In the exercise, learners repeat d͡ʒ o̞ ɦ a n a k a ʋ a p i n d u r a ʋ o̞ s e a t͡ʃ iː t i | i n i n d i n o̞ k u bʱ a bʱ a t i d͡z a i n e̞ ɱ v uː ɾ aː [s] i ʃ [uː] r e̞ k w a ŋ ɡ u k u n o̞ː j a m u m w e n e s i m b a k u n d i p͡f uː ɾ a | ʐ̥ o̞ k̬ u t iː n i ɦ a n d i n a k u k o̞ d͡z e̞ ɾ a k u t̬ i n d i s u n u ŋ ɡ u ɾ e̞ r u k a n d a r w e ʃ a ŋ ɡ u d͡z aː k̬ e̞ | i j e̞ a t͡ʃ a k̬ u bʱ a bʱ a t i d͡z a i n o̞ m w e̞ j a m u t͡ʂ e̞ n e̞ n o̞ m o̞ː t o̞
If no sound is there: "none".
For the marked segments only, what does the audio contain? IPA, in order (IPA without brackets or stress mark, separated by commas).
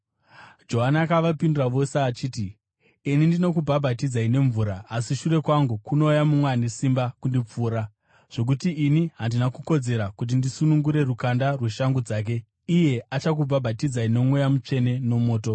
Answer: s, u